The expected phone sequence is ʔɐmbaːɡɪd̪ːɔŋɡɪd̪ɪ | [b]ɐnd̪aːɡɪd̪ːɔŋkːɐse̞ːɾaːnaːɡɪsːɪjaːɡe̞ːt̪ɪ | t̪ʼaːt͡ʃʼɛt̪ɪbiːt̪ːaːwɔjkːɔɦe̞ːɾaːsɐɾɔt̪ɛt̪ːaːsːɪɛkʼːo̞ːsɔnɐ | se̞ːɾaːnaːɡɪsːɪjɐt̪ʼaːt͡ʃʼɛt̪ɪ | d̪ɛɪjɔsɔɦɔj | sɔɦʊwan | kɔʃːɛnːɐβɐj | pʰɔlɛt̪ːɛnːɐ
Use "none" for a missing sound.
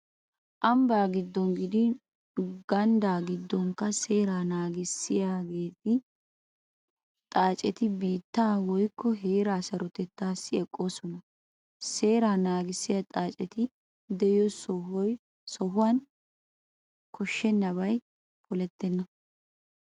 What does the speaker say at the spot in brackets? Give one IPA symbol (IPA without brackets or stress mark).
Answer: ɡ